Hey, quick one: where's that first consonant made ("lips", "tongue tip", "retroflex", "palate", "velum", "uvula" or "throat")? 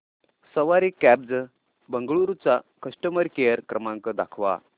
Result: tongue tip